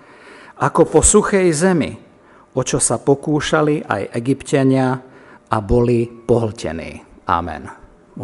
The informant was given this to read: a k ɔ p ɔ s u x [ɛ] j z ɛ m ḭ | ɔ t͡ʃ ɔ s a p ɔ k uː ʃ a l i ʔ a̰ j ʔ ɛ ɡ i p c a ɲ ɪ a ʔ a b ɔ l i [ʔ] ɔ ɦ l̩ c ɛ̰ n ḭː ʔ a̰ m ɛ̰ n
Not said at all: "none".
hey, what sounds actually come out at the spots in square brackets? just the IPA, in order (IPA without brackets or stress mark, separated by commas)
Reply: ɛ, p